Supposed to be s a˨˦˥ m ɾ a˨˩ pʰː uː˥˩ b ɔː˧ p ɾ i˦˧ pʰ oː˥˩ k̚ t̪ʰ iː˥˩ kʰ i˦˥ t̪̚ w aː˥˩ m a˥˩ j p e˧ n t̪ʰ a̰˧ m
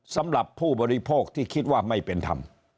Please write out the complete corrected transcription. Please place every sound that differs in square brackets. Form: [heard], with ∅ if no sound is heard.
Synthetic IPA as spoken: s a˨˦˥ m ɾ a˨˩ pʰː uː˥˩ b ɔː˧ [∅] ɾ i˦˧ pʰ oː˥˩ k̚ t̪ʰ iː˥˩ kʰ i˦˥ t̪̚ w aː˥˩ m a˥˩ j p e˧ n t̪ʰ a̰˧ m